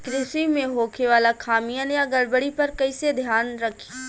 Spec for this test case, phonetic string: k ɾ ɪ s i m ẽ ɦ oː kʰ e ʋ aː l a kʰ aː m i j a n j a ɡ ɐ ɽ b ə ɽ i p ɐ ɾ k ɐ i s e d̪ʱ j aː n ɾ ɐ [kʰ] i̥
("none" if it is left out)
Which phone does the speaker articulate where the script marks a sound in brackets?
kʰ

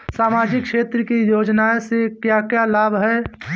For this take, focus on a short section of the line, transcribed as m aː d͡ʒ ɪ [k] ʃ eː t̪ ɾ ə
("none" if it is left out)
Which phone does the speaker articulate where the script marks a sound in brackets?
k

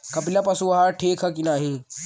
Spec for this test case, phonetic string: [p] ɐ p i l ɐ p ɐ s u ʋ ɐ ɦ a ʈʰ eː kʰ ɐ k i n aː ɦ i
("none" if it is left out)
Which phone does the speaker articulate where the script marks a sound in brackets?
k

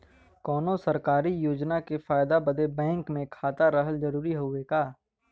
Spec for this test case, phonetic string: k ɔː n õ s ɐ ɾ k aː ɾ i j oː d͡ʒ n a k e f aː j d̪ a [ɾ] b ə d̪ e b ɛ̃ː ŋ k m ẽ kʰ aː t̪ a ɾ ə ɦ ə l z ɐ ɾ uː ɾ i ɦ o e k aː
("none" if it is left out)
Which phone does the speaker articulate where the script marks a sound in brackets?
none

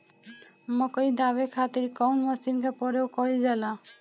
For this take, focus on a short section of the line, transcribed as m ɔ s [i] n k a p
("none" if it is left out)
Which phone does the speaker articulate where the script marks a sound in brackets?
i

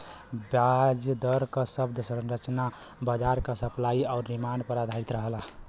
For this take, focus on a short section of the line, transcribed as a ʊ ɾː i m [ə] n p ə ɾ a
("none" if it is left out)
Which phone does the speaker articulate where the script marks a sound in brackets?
a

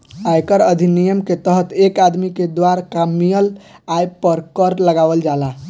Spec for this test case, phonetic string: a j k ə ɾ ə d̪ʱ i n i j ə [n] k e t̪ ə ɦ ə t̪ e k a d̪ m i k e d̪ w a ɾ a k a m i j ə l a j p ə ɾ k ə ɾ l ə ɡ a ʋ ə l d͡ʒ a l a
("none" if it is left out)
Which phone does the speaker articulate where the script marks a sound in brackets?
m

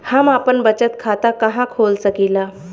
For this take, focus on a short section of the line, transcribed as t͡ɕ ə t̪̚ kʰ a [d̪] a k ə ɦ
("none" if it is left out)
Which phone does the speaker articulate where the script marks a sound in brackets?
t̪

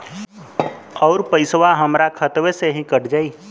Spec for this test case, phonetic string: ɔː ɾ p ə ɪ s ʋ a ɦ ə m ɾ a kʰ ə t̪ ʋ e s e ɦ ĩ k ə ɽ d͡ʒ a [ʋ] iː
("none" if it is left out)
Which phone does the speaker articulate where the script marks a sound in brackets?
none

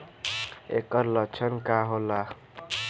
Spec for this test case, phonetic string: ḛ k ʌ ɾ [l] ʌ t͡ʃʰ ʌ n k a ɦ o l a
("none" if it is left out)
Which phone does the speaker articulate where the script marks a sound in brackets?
l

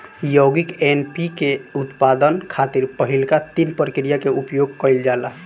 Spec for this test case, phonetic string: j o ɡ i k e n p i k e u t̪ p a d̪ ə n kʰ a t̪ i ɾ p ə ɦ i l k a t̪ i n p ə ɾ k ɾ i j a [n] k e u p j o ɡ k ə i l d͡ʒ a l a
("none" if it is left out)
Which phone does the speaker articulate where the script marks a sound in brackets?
none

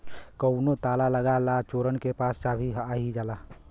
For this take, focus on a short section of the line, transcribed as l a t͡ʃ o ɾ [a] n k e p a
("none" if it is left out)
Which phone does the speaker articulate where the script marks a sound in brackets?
ə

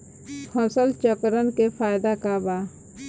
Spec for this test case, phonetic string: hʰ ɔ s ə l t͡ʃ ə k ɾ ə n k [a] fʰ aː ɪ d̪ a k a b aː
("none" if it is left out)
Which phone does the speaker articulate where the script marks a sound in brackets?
e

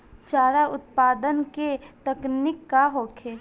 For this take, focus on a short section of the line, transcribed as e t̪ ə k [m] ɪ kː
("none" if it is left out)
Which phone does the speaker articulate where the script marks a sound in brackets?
n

